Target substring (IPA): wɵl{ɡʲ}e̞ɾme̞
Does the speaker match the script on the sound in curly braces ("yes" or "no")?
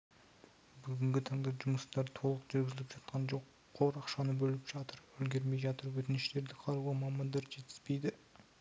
yes